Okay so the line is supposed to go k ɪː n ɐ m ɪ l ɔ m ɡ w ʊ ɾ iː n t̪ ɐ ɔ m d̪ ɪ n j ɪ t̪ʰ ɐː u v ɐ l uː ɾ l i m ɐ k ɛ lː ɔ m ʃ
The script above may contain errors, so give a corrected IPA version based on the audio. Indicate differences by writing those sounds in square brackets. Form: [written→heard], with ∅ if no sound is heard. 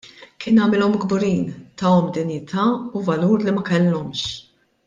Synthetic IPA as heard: k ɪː n ɐ m ɪ l ɔ m ɡ [w→b] ʊ ɾ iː n t̪ ɐ ɔ m d̪ ɪ n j ɪ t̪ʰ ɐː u v ɐ l uː ɾ l i m ɐ k ɛ lː ɔ m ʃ